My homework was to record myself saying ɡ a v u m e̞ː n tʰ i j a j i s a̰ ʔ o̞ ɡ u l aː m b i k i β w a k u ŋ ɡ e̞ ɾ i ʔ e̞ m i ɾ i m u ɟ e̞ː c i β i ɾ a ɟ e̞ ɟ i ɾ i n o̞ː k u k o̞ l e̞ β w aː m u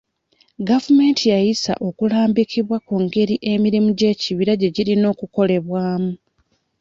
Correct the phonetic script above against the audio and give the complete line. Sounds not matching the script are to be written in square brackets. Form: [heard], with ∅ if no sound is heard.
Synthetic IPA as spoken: ɡ a v u m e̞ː n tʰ i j a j i s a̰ ʔ o̞ [k] u l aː m b i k i β w a k u ŋ ɡ e̞ ɾ i ʔ e̞ m i ɾ i m u ɟ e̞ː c i β i ɾ a ɟ e̞ ɟ i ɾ i n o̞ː k u k o̞ l e̞ β w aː m u